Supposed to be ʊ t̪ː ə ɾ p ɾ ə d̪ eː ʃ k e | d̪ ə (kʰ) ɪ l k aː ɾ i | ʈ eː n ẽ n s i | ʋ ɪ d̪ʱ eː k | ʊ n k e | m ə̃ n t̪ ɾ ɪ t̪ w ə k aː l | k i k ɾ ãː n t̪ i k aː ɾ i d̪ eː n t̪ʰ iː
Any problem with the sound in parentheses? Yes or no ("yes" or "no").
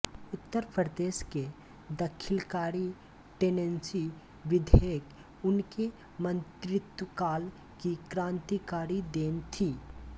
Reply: no